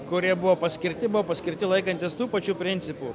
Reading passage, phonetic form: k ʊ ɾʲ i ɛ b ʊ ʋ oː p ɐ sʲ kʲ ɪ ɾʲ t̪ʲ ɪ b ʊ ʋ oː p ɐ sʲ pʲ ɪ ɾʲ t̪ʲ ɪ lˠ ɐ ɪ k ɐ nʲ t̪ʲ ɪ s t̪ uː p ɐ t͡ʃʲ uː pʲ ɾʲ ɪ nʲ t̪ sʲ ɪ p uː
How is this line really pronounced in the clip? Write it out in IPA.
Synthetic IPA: k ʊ ɾʲ i ɛ b ʊ ʋ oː p ɐ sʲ kʲ ɪ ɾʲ t̪ʲ ɪ b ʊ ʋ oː p ɐ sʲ kʲ ɪ ɾʲ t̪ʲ ɪ lˠ ɐ ɪ k ɐ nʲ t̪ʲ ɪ s t̪ uː p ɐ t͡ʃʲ uː pʲ ɾʲ ɪ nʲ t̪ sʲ ɪ p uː